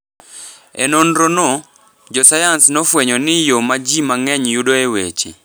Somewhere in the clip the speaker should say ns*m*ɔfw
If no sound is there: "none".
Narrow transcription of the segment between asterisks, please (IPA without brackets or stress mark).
n